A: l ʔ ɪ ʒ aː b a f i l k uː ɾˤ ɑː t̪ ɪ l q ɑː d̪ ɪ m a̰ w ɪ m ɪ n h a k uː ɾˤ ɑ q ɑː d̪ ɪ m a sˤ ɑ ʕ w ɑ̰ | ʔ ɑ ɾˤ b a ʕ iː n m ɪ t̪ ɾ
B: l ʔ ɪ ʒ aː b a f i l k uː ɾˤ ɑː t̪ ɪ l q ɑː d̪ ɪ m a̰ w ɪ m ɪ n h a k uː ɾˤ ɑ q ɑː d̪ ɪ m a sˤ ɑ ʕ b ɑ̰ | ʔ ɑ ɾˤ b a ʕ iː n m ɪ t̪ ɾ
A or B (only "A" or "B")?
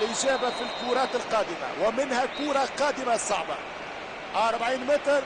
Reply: B